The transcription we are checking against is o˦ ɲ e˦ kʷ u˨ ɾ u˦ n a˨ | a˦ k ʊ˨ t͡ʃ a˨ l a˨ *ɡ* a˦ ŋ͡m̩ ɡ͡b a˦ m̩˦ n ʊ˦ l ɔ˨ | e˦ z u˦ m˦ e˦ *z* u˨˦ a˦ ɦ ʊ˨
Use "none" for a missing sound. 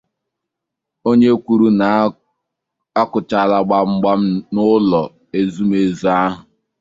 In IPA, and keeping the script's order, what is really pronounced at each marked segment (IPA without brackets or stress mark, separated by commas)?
ɡ͡b, z